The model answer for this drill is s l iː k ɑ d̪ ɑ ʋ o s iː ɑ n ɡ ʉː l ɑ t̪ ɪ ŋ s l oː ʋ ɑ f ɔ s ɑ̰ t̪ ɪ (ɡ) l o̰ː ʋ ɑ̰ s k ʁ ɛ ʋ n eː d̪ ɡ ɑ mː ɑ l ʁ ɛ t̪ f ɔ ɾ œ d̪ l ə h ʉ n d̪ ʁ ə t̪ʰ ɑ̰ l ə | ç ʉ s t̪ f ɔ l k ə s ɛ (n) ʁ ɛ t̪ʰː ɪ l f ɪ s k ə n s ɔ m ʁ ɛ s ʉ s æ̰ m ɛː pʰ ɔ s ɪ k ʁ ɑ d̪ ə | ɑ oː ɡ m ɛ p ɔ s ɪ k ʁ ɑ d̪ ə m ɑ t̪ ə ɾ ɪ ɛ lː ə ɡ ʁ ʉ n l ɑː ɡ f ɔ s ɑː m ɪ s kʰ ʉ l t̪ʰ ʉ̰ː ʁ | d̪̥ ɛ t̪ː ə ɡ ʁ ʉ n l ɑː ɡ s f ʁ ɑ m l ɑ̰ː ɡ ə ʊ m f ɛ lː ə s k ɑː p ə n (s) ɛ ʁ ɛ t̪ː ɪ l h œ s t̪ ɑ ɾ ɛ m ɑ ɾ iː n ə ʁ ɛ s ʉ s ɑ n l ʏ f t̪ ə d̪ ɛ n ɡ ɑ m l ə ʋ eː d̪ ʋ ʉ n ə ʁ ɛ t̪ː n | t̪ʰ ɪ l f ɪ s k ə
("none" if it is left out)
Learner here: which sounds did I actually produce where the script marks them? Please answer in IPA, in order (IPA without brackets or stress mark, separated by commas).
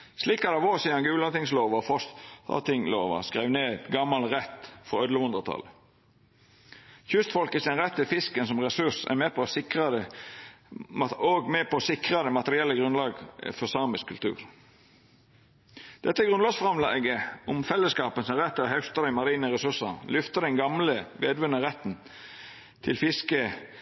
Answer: ŋ, n, s